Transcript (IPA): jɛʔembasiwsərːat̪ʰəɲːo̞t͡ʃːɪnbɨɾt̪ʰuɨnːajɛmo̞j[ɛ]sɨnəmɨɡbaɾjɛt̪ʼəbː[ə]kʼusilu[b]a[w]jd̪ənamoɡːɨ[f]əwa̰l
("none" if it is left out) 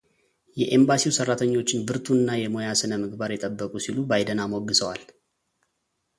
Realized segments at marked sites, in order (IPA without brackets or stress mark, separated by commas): a, ə, b, none, s